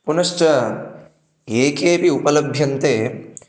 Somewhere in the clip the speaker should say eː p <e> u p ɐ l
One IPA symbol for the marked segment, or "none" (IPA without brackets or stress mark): i